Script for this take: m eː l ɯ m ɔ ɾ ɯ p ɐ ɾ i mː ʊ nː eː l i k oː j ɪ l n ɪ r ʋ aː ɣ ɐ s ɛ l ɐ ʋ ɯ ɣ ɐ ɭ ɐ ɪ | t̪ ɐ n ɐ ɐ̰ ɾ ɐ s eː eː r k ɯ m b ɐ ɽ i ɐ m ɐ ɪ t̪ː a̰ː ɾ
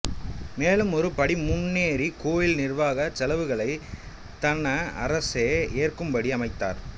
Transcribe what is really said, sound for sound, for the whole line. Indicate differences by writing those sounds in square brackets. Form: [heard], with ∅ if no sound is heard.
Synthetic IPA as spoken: m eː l ɯ m ɔ ɾ ɯ p ɐ [ɽ] i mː ʊ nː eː [ɾ] i k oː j ɪ l n ɪ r ʋ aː ɣ ɐ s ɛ l ɐ ʋ ɯ ɣ ɐ ɭ ɐ ɪ | t̪ ɐ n ɐ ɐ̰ ɾ ɐ s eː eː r k ɯ m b ɐ ɽ i ɐ m ɐ ɪ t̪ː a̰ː ɾ